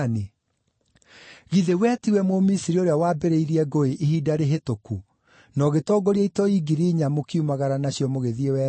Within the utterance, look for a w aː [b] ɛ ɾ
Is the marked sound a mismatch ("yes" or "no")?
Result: no